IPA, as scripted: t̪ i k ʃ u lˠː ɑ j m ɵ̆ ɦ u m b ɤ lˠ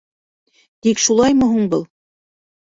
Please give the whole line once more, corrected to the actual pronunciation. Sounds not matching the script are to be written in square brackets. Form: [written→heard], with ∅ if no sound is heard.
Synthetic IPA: t̪ i k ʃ u [lˠː→lˠ] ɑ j m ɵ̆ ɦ u [m→ɴ] b ɤ lˠ